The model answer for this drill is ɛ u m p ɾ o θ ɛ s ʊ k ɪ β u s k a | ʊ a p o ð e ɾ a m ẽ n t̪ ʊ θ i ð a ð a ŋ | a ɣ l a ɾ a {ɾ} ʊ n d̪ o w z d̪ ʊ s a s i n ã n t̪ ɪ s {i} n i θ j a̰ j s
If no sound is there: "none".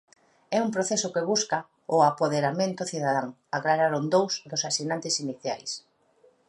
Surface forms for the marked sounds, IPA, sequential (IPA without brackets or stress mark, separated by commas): ɾ, i